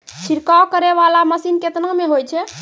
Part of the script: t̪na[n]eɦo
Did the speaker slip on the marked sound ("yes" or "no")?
yes